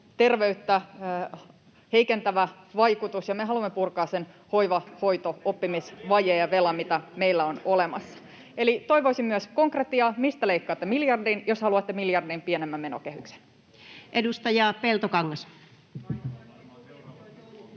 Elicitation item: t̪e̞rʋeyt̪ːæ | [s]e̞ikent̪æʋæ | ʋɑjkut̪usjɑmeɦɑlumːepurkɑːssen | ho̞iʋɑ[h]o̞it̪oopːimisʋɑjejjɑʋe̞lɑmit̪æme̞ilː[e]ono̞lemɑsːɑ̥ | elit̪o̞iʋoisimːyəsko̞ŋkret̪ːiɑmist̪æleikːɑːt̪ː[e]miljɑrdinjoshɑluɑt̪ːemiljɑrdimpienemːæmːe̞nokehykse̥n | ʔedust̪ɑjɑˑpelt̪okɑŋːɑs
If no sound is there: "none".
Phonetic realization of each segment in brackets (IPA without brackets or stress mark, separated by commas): h, h, æ, e